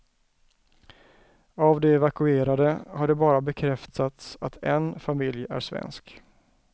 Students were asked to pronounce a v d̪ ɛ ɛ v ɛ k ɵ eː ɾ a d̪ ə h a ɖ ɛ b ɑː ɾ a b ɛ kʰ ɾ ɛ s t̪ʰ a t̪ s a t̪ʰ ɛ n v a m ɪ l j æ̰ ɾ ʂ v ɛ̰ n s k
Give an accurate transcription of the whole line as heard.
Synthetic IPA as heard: a v d̪ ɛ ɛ v a k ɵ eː ɾ a d̪ ə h a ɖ ɛ b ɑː ɾ a b ɛ kʰ ɾ ɛ f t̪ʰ a t̪ s a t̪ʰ ɛ n f a m ɪ l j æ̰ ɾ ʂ v ɛ̰ n s k